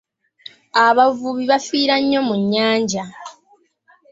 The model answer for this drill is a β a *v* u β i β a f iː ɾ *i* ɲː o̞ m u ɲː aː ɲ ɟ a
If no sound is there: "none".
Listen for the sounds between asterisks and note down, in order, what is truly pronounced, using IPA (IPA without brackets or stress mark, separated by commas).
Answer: v, a